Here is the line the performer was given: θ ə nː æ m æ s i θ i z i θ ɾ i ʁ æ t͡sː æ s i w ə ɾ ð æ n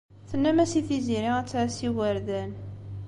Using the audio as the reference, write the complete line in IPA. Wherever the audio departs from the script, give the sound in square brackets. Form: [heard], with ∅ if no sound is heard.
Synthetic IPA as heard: θ ə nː æ m æ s i θ i z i [∅] ɾ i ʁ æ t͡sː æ s i w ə ɾ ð æ n